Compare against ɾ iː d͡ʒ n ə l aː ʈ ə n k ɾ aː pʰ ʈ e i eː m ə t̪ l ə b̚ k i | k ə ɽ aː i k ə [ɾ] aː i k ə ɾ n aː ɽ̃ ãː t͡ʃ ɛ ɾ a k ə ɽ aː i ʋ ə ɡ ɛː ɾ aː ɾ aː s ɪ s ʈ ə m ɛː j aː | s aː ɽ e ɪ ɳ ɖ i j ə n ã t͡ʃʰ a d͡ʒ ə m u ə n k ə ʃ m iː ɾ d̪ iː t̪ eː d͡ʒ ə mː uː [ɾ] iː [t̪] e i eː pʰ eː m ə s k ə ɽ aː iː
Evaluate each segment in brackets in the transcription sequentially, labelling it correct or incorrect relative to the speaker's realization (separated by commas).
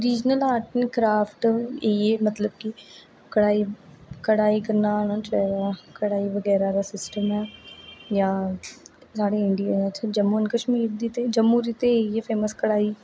incorrect, correct, correct